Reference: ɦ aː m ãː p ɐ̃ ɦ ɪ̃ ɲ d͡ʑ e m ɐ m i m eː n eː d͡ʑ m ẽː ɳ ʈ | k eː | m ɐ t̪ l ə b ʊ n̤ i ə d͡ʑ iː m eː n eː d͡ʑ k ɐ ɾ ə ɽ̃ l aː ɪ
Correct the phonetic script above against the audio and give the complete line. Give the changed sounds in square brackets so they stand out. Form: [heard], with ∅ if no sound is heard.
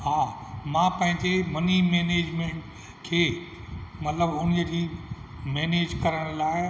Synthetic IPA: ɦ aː m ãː p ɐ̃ ɦ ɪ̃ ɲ d͡ʑ e m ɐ [n] i m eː n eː d͡ʑ m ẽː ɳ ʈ | [kʰ] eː | m ɐ t̪ l ə b ʊ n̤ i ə d͡ʑ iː m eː n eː d͡ʑ k ɐ ɾ ə ɽ̃ l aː ɪ

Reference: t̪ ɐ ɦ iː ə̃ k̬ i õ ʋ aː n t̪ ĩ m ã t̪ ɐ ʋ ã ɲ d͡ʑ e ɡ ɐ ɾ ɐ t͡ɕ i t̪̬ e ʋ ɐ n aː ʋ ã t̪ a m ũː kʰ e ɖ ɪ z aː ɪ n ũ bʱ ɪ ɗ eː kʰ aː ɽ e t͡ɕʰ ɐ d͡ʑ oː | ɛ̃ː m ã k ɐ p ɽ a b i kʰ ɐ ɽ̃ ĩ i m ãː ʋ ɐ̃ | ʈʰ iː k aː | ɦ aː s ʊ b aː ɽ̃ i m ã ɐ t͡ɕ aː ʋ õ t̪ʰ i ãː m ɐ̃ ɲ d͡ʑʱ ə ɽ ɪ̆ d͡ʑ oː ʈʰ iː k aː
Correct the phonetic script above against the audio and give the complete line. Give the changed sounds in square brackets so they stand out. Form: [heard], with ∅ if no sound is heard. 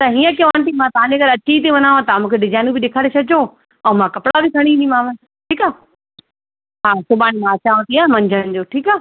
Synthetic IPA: t̪ ɐ ɦ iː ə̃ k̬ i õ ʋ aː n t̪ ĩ m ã t̪ ɐ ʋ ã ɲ d͡ʑ e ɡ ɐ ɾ ɐ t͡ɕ i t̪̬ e ʋ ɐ n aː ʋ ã t̪ a m ũː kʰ e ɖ ɪ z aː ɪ n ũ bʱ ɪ ɗ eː kʰ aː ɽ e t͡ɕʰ ɐ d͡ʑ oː | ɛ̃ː m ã k ɐ p ɽ a b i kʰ ɐ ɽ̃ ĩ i m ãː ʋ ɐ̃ | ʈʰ iː k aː | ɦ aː s ʊ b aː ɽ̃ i m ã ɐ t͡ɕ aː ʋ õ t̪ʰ i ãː m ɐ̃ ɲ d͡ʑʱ ə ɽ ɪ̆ d͡ʑ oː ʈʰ iː k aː

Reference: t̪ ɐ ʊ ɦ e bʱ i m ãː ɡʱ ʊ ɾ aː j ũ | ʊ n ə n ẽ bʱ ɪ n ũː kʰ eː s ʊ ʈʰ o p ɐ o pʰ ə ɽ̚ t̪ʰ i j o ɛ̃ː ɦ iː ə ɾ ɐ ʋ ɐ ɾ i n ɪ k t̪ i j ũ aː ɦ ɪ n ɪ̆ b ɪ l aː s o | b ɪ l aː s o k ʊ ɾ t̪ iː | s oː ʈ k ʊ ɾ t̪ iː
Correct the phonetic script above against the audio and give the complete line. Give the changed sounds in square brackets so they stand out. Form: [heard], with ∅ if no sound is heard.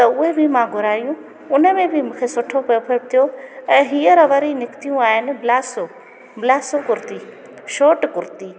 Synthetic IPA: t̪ ɐ ʊ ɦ e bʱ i m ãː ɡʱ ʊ ɾ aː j ũ | ʊ n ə [m] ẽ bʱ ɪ [m] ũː kʰ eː s ʊ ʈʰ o p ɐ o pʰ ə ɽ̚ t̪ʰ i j o ɛ̃ː ɦ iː ə ɾ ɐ ʋ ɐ ɾ i n ɪ k t̪ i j ũ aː ɦ ɪ n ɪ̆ b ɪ l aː s o | b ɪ l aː s o k ʊ ɾ t̪ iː | [ʃ] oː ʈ k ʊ ɾ t̪ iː

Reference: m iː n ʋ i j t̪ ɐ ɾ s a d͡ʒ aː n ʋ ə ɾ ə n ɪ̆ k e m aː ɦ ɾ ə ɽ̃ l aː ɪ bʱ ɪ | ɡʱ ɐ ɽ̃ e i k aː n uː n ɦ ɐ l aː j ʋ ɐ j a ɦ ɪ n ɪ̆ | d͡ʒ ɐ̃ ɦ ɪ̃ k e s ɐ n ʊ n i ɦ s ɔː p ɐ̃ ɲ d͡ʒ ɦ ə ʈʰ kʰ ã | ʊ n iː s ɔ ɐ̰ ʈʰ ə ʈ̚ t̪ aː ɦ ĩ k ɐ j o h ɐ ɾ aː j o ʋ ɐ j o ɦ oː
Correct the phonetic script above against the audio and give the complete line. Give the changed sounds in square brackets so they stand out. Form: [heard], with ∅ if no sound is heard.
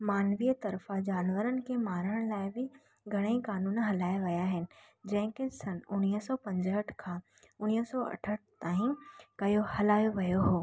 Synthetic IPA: m [aː] n ʋ i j t̪ ɐ ɾ [f] a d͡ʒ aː n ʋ ə ɾ ə n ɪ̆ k e m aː [∅] ɾ ə ɽ̃ l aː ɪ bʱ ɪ | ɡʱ ɐ ɽ̃ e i k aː n uː n ɦ ɐ l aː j ʋ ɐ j a ɦ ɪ n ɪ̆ | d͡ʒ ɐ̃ ɦ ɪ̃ k e s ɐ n ʊ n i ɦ s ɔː p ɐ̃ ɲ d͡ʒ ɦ ə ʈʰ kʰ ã | ʊ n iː s ɔ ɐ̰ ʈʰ ə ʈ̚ t̪ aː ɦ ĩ k ɐ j o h ɐ [l] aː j o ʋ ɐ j o ɦ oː

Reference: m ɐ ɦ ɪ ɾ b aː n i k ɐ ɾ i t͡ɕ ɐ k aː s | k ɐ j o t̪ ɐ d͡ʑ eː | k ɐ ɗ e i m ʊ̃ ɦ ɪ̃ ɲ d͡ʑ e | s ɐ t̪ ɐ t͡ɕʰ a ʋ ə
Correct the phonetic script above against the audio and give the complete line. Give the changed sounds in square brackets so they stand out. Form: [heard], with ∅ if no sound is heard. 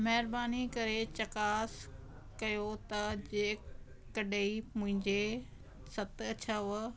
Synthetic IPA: m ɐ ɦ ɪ ɾ b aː n i k ɐ ɾ [e] t͡ɕ ɐ k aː s | k ɐ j o t̪ ɐ d͡ʑ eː | k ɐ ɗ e i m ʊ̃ ɦ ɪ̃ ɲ d͡ʑ e | s ɐ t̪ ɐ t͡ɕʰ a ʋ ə

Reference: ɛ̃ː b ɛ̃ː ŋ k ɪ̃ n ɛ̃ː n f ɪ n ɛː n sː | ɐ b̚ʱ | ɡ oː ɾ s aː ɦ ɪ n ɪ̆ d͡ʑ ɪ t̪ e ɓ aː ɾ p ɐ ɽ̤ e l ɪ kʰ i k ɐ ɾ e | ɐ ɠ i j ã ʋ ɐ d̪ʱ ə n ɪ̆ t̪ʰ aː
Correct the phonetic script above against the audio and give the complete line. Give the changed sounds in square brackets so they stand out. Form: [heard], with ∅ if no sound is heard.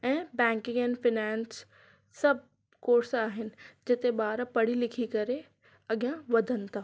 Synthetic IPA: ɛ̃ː b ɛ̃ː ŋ k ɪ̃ [ŋ] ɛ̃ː n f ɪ n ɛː n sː | ɐ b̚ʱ | [k] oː ɾ s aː ɦ ɪ n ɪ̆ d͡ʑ ɪ t̪ e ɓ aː ɾ p ɐ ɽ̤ [i] l ɪ kʰ i k ɐ ɾ e | ɐ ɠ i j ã ʋ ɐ d̪ʱ ə n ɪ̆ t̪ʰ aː

